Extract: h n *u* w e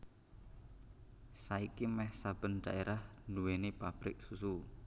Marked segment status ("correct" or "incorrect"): correct